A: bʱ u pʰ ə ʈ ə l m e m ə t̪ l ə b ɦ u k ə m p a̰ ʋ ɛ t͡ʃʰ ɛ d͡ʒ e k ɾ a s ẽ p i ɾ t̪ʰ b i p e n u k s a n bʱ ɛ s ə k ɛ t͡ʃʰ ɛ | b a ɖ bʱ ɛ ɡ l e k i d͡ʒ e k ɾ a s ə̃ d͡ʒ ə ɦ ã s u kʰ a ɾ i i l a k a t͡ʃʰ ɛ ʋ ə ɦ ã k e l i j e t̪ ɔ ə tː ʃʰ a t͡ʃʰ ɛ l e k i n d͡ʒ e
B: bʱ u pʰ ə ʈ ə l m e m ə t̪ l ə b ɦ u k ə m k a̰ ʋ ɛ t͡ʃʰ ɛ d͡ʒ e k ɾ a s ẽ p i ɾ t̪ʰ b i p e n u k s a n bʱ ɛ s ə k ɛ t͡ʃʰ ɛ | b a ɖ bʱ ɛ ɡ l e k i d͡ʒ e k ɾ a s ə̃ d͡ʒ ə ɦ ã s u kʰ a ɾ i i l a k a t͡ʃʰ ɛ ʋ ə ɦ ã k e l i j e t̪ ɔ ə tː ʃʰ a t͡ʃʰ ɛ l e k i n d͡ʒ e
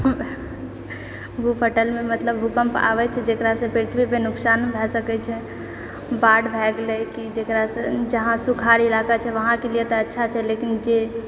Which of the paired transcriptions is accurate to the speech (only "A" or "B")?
A